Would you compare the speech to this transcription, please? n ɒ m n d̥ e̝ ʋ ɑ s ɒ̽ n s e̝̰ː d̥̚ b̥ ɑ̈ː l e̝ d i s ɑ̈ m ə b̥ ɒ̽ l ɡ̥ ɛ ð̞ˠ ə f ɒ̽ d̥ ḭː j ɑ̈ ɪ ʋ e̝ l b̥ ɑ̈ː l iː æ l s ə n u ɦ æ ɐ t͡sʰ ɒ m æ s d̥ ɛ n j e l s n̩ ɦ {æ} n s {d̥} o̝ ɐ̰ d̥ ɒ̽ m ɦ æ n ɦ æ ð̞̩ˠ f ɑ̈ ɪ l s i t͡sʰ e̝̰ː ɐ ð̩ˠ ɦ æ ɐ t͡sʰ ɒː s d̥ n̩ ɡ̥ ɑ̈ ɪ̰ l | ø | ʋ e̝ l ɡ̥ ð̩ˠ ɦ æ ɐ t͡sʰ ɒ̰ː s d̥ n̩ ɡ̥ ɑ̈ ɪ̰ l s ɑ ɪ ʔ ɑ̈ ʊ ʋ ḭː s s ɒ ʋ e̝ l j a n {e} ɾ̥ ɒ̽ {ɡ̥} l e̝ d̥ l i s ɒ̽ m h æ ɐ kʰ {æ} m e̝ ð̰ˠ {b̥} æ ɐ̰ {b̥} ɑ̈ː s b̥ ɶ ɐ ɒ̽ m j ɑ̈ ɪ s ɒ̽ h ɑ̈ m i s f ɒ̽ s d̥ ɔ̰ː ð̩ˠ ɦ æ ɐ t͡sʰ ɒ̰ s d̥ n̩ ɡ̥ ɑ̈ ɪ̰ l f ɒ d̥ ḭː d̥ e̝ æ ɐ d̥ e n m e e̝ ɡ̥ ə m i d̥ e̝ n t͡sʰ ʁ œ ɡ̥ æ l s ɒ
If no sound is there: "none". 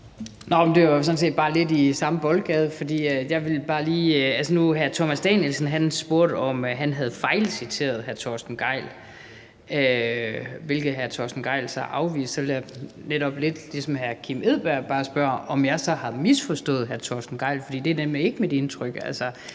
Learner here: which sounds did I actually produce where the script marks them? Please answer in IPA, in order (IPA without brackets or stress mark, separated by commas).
æ, b̥, e, b̥, i, b̥, b̥